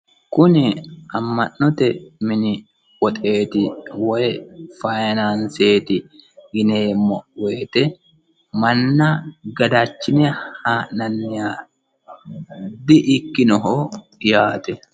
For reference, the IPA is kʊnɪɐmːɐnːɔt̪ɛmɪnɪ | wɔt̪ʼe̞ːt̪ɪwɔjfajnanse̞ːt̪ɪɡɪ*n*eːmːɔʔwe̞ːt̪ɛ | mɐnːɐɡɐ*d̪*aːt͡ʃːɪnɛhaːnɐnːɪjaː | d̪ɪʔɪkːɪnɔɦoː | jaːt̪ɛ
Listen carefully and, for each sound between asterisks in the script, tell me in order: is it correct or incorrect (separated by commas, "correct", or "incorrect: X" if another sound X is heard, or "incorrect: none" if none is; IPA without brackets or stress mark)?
correct, correct